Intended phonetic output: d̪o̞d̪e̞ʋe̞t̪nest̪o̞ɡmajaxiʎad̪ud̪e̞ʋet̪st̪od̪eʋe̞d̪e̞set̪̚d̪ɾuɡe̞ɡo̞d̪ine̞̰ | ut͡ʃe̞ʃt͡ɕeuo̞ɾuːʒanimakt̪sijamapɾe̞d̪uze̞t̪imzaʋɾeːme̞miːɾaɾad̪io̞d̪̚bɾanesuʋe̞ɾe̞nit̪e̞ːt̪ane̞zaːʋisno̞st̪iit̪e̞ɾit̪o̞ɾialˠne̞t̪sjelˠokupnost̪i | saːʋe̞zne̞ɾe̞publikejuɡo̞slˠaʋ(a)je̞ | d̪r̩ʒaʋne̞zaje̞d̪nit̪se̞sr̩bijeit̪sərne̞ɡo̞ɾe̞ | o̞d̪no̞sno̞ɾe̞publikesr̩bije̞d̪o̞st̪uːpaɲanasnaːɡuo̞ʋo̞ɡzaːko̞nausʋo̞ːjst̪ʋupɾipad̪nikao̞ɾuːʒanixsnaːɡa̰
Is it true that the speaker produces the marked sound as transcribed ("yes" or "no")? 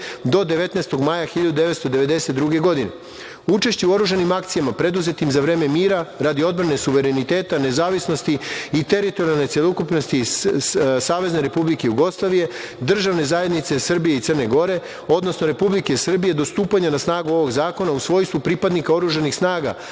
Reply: no